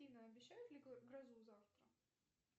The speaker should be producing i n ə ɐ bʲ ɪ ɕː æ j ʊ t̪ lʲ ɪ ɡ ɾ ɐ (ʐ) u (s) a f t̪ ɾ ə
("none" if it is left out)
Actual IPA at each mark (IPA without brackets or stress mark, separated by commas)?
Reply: z, z